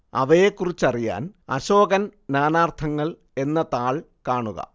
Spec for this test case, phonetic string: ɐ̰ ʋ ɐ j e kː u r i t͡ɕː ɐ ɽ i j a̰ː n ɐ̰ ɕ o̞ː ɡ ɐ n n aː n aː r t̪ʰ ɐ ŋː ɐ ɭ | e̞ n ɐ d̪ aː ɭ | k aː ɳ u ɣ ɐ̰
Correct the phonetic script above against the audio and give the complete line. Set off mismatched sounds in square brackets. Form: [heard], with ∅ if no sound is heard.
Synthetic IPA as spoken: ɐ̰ ʋ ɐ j e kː u r i t͡ɕː ɐ [r] i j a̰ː n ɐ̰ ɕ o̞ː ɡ ɐ n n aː n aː r t̪ʰ ɐ ŋː ɐ ɭ | e̞ [nː] ɐ [t̪] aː ɭ | k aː ɳ u ɣ ɐ̰